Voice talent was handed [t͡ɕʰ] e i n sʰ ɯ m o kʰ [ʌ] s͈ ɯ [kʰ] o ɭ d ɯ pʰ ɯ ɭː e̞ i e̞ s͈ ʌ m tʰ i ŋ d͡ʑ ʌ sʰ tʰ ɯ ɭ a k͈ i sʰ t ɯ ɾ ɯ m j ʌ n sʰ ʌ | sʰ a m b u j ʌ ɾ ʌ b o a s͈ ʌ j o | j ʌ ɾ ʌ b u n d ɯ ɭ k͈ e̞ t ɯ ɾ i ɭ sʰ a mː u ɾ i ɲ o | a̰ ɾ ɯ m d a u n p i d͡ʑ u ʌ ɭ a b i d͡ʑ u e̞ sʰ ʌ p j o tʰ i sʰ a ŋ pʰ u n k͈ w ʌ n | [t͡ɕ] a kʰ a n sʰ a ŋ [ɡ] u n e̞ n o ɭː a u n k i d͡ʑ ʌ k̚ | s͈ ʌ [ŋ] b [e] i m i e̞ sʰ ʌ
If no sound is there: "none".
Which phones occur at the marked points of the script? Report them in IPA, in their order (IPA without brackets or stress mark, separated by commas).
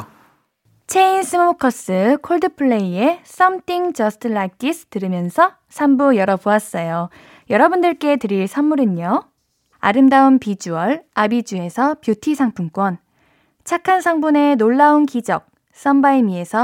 t͡ɕʰ, ʌ, kʰ, t͡ɕʰ, b, m, a